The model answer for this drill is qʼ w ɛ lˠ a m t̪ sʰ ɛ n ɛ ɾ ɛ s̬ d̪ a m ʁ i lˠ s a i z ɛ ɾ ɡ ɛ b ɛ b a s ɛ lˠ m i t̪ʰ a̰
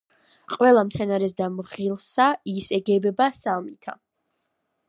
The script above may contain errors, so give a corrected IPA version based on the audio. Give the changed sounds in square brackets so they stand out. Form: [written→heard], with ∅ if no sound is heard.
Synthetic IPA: qʼ w ɛ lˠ a m t̪ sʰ ɛ n [ɛ→a] ɾ ɛ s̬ d̪ a m ʁ i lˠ s a i [z→s] ɛ [ɾ→∅] ɡ ɛ b ɛ b a s [ɛ→a] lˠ m i t̪ʰ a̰